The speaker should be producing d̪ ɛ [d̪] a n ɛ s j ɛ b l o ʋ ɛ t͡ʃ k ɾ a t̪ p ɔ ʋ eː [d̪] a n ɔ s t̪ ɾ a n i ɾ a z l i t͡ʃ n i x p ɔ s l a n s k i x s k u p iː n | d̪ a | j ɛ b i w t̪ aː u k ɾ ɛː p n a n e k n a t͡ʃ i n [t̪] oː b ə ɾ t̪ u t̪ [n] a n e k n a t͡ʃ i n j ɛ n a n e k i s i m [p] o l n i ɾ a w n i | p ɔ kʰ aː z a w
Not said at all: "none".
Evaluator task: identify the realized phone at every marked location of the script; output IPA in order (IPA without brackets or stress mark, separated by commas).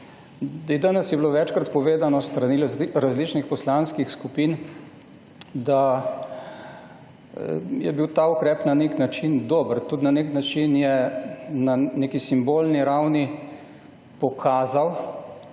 d̪, d̪, d̪, n, b